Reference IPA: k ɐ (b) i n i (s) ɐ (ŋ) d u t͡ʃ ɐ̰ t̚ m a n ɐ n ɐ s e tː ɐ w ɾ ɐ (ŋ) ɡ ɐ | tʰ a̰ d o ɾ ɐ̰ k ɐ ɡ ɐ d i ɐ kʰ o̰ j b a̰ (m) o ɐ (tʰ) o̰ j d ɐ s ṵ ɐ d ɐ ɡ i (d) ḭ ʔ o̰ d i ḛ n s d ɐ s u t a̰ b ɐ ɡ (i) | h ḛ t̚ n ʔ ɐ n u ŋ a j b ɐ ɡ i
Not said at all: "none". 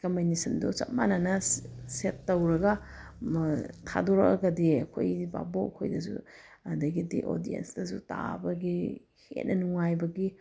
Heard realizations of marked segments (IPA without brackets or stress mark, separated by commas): m, s, n, none, b, kʰ, d, i